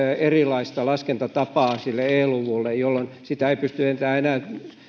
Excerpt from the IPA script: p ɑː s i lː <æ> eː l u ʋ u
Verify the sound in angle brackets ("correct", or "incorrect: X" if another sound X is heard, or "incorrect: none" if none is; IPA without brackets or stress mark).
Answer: incorrect: e